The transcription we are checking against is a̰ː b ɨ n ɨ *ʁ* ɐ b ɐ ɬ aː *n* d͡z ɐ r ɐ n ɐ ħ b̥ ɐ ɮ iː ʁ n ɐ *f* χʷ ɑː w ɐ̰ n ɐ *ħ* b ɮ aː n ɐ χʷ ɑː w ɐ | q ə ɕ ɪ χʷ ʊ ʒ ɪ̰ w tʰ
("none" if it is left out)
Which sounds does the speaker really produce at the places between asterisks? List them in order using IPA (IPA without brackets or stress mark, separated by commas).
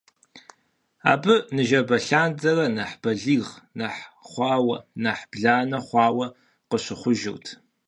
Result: ʒ, n, ħ, ħ